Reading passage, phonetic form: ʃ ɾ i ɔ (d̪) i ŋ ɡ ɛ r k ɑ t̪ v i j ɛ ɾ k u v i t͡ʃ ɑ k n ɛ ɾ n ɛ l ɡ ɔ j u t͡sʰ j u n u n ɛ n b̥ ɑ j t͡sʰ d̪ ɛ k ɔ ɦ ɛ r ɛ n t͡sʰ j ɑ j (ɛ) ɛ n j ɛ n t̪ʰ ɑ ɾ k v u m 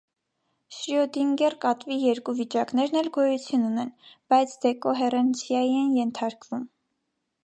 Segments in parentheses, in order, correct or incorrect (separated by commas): correct, incorrect